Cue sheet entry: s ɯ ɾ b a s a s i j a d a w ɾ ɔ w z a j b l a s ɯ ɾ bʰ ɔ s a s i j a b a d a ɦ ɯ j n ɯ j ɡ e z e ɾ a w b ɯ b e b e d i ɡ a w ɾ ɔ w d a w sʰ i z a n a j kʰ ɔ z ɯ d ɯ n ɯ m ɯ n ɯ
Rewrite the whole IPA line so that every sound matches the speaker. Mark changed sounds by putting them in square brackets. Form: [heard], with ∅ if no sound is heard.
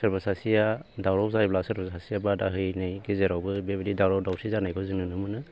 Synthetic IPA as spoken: s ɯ ɾ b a s a s i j a d a w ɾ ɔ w z a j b l a s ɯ ɾ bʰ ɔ s a s i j a b a d a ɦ ɯ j n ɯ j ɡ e z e ɾ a w b ɯ b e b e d i [d] a w ɾ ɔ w d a w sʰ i z a n a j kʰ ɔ z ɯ [n] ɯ n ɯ m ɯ n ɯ